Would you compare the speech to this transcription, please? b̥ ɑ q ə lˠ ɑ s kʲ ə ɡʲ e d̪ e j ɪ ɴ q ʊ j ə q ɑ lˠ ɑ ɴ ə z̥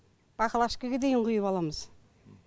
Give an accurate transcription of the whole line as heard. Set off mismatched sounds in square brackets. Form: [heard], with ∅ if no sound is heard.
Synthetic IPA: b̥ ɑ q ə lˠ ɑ [ʃ] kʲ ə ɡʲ e d̪ e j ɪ ɴ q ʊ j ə [p] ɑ lˠ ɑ [m] ə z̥